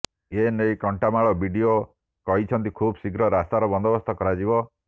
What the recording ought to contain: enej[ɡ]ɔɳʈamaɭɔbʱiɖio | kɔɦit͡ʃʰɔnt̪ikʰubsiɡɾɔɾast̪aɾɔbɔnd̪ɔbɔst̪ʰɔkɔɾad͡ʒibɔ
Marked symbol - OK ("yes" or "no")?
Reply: no